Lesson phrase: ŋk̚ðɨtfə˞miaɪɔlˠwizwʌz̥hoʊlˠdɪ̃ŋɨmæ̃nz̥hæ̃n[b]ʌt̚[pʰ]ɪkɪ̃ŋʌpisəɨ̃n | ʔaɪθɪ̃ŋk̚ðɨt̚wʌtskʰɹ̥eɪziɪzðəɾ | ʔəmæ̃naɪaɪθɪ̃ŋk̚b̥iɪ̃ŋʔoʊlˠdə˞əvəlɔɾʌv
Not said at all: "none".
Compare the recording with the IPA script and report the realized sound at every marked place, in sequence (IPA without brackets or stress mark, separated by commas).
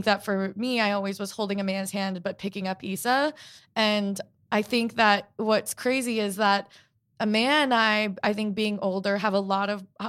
b, pʰ